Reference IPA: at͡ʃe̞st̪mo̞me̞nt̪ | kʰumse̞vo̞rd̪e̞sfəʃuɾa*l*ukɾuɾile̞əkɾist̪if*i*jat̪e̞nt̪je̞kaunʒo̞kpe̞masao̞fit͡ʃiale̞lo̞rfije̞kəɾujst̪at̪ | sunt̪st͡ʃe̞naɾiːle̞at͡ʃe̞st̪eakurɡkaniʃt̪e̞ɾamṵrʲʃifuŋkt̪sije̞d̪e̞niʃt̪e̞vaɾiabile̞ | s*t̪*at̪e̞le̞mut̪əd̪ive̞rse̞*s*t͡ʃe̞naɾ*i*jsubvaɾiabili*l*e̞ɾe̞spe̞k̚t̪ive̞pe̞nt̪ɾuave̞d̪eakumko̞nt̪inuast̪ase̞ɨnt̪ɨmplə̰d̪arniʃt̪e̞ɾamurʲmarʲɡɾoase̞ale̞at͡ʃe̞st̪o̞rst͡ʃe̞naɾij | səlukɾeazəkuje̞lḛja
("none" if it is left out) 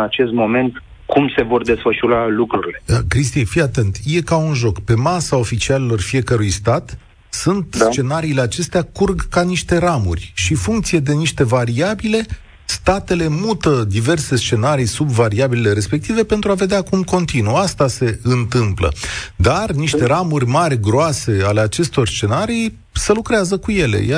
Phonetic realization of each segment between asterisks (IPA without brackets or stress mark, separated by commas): l, i, t̪, s, i, l